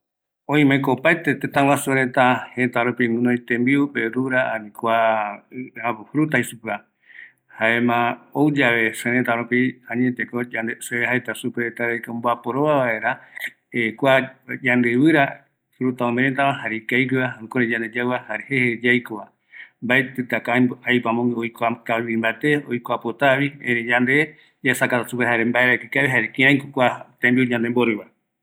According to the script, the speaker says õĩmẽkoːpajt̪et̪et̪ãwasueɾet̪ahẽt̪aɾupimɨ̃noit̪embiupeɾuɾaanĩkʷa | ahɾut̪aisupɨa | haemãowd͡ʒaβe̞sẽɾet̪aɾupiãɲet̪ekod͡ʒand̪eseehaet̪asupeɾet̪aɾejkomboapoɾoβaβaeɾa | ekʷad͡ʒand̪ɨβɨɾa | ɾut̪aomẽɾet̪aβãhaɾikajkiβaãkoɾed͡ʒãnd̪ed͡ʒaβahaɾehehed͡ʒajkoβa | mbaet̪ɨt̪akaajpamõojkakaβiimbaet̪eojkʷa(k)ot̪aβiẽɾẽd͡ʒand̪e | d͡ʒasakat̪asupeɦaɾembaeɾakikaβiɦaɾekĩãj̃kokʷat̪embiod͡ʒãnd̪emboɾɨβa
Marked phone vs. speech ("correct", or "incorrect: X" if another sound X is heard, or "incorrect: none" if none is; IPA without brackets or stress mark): incorrect: p